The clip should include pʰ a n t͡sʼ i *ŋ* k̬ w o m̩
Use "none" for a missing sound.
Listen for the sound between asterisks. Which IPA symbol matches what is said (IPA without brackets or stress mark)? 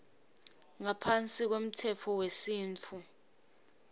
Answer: none